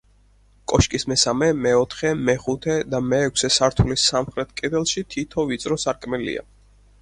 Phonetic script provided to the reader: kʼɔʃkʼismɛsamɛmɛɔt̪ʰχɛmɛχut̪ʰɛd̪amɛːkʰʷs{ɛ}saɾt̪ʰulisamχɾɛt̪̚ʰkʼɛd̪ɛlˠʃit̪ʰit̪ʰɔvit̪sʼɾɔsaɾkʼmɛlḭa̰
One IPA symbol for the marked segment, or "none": ɛ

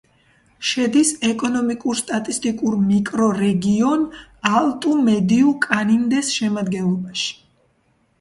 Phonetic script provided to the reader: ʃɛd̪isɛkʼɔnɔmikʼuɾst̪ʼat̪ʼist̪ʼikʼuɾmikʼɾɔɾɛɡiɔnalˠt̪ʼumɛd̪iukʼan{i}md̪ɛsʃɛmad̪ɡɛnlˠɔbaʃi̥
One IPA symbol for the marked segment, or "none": i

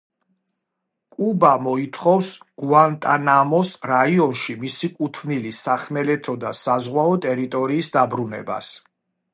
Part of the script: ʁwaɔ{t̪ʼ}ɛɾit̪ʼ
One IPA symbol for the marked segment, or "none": t̪ʼ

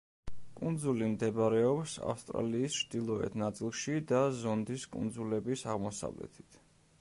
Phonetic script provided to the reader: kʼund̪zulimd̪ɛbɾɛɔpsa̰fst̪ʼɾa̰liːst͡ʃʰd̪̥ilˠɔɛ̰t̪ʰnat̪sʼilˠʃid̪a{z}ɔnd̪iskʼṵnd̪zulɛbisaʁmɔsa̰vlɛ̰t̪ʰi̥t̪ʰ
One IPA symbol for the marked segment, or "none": z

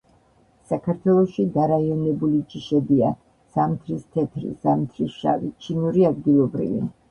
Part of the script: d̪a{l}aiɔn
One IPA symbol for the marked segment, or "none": ɾ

